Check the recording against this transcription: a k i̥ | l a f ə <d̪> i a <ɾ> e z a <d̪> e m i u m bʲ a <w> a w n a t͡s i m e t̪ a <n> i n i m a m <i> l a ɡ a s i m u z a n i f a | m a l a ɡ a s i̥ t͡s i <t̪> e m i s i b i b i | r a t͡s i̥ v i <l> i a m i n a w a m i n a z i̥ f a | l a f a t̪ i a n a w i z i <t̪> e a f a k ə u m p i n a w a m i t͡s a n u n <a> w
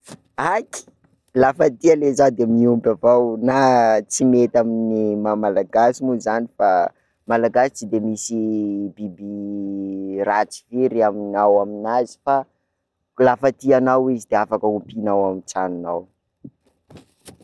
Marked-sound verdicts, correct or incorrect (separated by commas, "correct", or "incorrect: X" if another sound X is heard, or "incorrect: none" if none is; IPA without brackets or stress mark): incorrect: t̪, incorrect: l, correct, incorrect: v, incorrect: m, incorrect: a, incorrect: d̪, incorrect: ɾ, incorrect: d̪, correct